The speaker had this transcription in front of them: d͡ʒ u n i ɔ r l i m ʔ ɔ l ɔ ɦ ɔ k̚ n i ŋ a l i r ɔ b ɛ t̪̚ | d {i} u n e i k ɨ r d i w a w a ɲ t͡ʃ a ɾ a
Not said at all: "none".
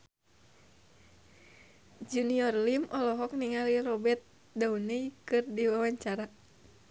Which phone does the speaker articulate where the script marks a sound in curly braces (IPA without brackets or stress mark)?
a